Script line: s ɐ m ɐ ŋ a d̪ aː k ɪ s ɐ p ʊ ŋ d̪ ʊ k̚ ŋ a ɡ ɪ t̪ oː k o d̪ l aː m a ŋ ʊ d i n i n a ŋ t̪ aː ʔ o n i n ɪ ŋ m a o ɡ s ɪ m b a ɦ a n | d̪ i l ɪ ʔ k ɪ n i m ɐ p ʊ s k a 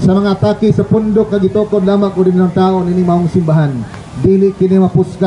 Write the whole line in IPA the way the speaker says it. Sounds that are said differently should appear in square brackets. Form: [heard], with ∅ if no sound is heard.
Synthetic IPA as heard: s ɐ m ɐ ŋ a [t̪] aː k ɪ s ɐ p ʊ [n] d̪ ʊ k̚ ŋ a ɡ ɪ t̪ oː k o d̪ l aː m a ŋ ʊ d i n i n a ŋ t̪ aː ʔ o n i n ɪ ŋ m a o [ŋ] s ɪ m b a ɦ a n | d̪ i l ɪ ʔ k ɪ n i m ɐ p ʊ s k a